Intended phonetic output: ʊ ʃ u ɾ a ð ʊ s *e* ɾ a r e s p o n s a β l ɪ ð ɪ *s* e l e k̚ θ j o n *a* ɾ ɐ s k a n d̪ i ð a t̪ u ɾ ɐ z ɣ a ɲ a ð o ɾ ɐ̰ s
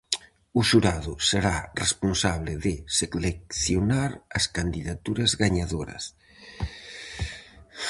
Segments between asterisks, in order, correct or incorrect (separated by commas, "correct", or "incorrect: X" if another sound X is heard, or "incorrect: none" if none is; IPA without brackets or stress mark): correct, correct, correct